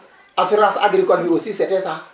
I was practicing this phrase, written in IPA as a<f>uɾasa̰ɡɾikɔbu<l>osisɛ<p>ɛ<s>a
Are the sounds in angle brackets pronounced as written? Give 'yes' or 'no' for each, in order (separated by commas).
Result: no, no, no, yes